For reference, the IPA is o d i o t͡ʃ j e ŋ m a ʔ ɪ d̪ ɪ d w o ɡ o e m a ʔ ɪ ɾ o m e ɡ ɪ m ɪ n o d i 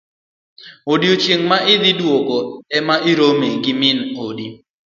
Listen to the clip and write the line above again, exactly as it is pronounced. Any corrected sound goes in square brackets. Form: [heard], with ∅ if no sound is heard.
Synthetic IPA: o d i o t͡ʃ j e ŋ m a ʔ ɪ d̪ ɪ d w o ɡ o [ɛ] m a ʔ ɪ ɾ o m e ɡ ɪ m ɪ n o d i